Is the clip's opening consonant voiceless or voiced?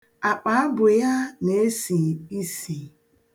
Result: voiceless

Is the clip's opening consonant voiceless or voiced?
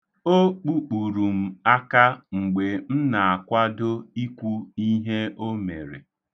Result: voiceless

